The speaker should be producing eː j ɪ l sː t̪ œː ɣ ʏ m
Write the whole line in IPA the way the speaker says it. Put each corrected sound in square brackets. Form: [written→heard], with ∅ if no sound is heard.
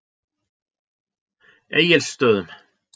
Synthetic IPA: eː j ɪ l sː t̪ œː [ɣ→ð] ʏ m